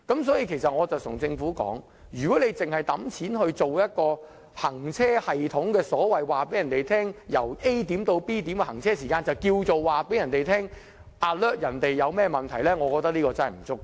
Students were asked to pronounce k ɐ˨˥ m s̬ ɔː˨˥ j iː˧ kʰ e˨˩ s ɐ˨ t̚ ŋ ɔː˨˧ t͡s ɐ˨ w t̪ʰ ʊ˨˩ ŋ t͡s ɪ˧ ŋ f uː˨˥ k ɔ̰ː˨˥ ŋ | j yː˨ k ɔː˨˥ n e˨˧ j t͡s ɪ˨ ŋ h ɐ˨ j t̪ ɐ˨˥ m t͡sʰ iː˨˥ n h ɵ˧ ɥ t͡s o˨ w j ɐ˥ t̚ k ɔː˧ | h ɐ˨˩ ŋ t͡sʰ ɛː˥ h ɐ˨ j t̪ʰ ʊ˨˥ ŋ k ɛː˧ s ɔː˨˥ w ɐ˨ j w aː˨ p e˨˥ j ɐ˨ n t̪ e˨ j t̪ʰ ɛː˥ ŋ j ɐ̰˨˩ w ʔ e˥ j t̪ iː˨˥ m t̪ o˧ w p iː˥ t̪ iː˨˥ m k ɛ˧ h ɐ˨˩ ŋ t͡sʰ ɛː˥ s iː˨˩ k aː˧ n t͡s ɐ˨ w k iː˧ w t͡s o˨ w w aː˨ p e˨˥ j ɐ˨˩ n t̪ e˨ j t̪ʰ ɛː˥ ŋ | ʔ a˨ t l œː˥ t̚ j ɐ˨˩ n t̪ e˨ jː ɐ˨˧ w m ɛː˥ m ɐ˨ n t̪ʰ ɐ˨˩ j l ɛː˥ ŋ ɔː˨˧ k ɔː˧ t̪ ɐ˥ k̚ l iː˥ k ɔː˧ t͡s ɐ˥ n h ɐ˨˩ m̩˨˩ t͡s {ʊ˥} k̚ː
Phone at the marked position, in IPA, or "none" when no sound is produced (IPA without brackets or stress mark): ʊ˥